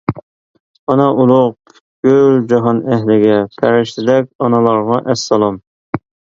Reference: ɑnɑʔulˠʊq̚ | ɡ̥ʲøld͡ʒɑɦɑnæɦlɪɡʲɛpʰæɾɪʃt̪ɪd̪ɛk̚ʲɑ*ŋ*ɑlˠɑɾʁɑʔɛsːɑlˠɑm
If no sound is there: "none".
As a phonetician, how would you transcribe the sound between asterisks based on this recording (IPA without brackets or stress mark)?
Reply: n